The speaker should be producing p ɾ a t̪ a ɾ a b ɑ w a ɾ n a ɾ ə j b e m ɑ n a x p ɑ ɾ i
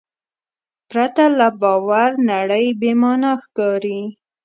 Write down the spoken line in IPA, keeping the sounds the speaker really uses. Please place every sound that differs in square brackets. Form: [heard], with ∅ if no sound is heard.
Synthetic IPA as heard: p ɾ a t̪ a [l] a b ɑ w a ɾ n a [ɽ] ə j b e m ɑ n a x [k] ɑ ɾ i